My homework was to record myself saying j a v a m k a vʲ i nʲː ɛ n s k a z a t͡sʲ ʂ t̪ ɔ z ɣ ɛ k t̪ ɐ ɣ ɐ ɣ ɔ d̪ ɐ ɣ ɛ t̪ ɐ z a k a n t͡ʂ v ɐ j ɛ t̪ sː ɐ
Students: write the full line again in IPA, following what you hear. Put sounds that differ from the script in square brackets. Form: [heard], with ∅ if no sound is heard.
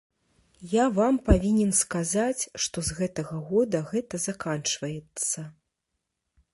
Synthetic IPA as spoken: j a v a m [p] a vʲ i [nʲ] ɛ n s k a z a t͡sʲ ʂ t̪ ɔ z ɣ ɛ [∅] t̪ ɐ ɣ ɐ ɣ ɔ d̪ ɐ ɣ ɛ t̪ ɐ z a k a n t͡ʂ v ɐ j ɛ t̪ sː ɐ